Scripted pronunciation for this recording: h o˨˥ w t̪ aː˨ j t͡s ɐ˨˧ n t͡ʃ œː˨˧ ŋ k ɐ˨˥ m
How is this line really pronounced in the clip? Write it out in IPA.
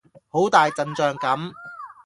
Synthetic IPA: h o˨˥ w t̪ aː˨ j t͡s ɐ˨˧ n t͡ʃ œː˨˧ ŋ k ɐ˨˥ m